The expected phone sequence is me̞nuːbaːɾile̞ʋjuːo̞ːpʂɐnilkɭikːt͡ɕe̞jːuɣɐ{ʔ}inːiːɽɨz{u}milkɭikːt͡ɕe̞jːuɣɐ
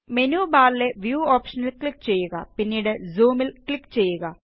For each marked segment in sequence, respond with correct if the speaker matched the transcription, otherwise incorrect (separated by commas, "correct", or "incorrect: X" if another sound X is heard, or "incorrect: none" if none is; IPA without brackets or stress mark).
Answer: incorrect: p, incorrect: uː